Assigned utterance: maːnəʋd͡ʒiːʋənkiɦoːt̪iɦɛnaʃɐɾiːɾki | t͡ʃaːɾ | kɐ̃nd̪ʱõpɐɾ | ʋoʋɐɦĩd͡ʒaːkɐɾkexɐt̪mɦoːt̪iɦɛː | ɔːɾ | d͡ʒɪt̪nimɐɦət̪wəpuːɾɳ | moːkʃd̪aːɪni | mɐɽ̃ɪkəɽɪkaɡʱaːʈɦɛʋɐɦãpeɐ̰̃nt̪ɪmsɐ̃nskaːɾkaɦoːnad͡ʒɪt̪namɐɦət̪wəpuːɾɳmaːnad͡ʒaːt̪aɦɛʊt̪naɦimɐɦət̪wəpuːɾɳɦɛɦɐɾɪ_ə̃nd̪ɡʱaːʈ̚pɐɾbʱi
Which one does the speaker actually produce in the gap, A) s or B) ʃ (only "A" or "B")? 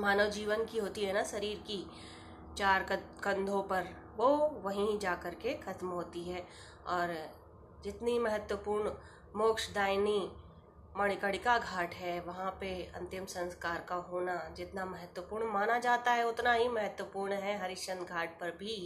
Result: B